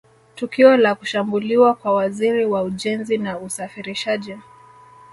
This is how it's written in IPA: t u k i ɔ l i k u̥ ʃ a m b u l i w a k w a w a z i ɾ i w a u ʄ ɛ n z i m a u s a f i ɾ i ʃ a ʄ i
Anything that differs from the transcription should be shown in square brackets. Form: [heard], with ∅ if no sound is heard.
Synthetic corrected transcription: t u k i ɔ l [a] k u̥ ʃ a m b u l i w a k w a w a z i ɾ i w a u ʄ ɛ n z i [n] a u s a f i ɾ i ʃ a ʄ i